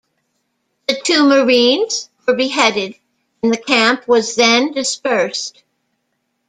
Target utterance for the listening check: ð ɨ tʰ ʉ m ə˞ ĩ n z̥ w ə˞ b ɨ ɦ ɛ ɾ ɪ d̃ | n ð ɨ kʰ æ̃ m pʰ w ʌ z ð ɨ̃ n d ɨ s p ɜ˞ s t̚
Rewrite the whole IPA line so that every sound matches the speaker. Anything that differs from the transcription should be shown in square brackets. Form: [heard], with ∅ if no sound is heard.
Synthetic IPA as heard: ð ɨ tʰ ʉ m ə˞ ĩ n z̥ w ə˞ b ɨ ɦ ɛ ɾ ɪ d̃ | n ð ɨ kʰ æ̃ m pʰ w ʌ z ð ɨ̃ n d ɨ s p ɜ˞ s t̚